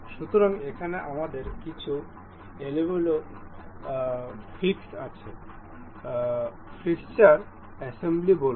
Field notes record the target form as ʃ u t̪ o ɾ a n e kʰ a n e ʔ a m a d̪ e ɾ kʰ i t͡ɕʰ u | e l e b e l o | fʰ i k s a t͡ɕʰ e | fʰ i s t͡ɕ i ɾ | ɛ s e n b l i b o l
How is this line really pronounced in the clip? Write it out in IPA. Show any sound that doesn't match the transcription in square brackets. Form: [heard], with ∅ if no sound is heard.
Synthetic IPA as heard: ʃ u t̪ o ɾ a [ŋ] e kʰ a n e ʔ a m a d̪ e ɾ [k] i t͡ɕʰ u | e l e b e l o | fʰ i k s a t͡ɕʰ e | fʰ i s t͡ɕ [a] ɾ | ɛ s e [m] b l i b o l